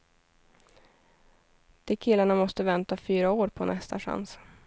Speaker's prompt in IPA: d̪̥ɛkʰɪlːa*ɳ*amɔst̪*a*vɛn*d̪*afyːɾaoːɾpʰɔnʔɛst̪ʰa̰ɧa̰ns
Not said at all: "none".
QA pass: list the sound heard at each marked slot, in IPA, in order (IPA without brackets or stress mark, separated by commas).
ɳ, ə, t̪